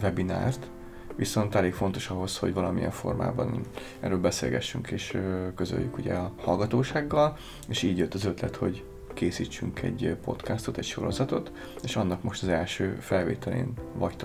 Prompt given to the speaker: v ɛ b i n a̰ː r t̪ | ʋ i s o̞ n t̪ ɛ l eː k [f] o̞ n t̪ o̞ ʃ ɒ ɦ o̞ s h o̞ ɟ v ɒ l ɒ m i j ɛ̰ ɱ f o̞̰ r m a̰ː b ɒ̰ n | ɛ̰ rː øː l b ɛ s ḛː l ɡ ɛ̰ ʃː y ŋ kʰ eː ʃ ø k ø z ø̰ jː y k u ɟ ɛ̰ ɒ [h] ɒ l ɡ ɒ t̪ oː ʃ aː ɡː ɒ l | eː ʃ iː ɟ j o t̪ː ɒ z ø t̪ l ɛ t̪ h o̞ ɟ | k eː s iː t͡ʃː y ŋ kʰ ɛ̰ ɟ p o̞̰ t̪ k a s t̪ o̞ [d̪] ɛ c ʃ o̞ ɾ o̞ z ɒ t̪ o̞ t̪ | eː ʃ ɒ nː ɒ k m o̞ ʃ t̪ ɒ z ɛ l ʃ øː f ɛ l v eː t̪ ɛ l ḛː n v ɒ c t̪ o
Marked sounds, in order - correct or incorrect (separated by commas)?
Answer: correct, correct, incorrect